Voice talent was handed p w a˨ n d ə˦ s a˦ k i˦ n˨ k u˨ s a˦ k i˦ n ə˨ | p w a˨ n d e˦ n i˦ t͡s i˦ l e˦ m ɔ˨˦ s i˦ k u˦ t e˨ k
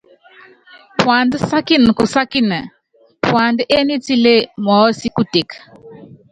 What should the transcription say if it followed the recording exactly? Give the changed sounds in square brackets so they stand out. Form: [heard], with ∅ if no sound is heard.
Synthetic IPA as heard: p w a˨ n d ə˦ s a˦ k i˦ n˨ k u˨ s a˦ k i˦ n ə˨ | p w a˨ n d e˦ n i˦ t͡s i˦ l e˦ m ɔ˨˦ s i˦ k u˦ t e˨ k